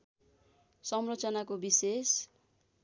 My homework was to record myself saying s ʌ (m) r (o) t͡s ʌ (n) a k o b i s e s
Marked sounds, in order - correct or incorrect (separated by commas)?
correct, correct, correct